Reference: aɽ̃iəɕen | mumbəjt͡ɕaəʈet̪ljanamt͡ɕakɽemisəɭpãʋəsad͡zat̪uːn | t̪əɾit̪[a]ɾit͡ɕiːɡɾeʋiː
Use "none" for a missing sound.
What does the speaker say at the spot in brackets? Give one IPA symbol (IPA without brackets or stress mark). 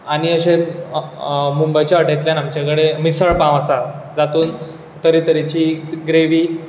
ə